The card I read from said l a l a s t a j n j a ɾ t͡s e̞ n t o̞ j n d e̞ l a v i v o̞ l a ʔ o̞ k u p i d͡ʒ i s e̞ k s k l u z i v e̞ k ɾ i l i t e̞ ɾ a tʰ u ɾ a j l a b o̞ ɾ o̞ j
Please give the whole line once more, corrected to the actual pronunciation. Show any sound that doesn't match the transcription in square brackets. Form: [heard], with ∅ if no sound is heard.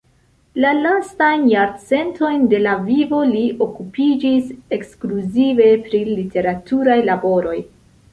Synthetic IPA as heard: l a l a s t a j n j a ɾ t͡s e̞ n t o̞ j n d e̞ l a v i v o̞ l [i] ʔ o̞ k u p i d͡ʒ i s e̞ k s k l u z i v e̞ [p] ɾ i l i t e̞ ɾ a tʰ u ɾ a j l a b o̞ ɾ o̞ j